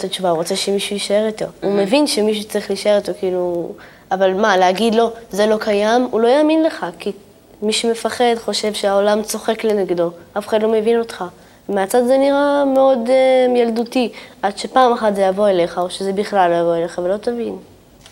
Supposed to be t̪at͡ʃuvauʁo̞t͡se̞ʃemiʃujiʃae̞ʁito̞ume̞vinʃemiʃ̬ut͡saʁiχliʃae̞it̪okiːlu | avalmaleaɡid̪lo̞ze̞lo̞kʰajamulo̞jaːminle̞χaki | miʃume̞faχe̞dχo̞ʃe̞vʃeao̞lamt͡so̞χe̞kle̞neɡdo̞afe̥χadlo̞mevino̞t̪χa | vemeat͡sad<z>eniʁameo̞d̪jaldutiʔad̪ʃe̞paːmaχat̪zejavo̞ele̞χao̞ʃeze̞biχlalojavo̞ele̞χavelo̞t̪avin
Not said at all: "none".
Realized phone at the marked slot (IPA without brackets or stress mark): z